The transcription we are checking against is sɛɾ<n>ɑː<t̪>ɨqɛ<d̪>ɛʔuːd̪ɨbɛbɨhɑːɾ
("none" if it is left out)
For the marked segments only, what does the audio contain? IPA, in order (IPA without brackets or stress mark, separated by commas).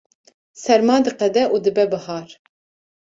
m, d̪, d̪